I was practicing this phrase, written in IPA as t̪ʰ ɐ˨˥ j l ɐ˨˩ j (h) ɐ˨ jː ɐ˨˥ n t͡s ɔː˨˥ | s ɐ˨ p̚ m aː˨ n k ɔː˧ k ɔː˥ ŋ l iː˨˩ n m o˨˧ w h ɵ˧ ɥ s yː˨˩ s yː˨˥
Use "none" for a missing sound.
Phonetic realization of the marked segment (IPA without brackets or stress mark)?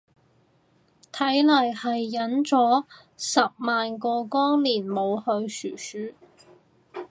h